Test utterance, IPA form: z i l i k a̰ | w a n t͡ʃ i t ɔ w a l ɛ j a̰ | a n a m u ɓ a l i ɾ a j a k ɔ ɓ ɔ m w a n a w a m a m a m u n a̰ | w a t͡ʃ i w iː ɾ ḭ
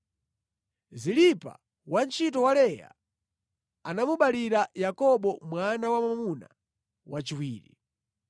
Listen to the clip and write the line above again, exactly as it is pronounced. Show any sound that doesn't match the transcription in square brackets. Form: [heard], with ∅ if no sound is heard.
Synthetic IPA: z i l i [p] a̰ | w a n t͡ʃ i t ɔ w a l ɛ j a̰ | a n a m u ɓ a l i ɾ a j a k ɔ ɓ ɔ m w a n a w a m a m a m u n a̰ | w a t͡ʃ i w iː ɾ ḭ